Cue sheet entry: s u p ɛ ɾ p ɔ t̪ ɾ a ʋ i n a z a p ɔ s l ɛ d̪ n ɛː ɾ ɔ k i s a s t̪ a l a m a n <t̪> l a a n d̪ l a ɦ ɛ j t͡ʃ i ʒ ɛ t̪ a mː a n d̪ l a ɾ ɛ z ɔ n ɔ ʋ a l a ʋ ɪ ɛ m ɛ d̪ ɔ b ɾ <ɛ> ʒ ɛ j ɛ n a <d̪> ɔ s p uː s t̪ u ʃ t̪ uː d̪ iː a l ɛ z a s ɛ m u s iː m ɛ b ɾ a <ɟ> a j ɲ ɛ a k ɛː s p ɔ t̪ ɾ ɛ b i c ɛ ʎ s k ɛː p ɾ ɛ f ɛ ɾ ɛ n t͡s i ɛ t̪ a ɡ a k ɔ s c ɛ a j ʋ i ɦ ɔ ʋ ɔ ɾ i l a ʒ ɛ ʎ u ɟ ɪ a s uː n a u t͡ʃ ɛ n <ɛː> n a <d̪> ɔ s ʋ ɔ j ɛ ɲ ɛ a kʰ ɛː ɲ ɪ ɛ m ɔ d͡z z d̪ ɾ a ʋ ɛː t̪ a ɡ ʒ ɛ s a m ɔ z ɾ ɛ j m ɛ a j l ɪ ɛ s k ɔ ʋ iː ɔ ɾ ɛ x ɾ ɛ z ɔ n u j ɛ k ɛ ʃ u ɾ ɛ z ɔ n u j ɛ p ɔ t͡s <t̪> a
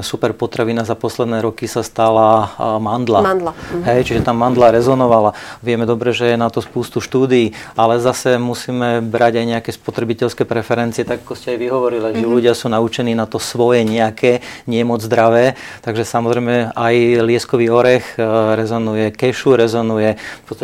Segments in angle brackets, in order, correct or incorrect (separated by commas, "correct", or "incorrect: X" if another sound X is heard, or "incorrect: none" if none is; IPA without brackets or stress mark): incorrect: d̪, correct, incorrect: t̪, correct, incorrect: iː, incorrect: t̪, correct